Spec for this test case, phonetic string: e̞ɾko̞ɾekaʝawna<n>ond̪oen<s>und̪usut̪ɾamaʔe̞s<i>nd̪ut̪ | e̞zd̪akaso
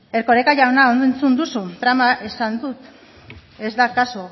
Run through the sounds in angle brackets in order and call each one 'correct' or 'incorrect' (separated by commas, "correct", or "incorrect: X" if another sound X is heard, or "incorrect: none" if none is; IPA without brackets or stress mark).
incorrect: none, incorrect: t͡s, incorrect: a